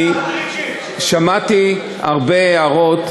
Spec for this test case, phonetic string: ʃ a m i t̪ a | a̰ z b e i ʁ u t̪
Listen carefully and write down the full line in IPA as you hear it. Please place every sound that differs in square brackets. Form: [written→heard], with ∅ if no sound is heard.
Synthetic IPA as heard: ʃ a m [i→a] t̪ [a→i] | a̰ [z→ʁ] b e [i→a] ʁ [u→o] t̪